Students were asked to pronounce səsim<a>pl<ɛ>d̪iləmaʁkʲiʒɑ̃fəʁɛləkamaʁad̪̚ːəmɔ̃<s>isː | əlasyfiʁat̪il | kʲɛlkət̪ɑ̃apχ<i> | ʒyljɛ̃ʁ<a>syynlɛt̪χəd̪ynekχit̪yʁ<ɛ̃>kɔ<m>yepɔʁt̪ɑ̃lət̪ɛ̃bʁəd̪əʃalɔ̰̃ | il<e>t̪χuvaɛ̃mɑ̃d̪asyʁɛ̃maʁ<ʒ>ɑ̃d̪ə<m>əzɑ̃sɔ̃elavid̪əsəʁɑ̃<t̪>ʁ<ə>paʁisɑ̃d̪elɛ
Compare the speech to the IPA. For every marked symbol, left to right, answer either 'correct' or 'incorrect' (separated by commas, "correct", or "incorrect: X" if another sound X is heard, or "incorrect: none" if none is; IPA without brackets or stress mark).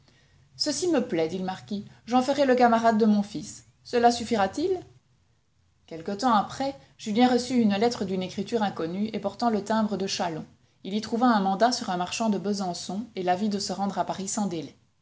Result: incorrect: ə, correct, incorrect: f, incorrect: ɛ, incorrect: ə, correct, incorrect: n, incorrect: i, incorrect: ʃ, incorrect: b, incorrect: d̪, incorrect: a